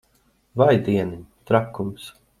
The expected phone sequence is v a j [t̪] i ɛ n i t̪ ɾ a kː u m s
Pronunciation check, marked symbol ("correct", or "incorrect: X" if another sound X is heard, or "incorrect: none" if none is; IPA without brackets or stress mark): incorrect: d̪